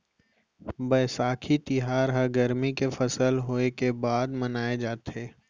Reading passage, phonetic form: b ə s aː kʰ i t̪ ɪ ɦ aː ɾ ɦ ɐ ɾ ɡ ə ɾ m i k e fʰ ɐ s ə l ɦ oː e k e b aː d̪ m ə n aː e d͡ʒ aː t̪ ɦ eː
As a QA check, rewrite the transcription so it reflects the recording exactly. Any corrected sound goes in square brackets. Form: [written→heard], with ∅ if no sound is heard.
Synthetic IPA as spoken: b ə s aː kʰ i t̪ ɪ ɦ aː ɾ ɦ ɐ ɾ ɡ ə ɾ m i k e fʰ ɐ s ə l ɦ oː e k e b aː d̪ m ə n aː e d͡ʒ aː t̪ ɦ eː